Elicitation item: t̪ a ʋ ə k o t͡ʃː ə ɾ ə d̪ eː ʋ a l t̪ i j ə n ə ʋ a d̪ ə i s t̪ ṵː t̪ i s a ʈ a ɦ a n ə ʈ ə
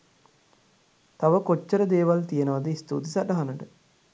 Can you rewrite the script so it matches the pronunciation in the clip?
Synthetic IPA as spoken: t̪ a ʋ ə k o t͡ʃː ə ɾ ə d̪ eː ʋ a l t̪ i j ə n ə ʋ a d̪ ə i s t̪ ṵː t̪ i s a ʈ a ɦ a n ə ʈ ə